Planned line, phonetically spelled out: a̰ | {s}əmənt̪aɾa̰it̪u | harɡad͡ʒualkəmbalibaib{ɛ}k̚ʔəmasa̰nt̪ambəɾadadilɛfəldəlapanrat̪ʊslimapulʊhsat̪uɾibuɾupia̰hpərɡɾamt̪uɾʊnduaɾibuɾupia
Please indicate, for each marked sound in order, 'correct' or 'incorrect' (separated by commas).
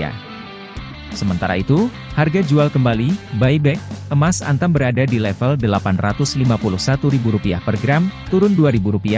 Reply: correct, correct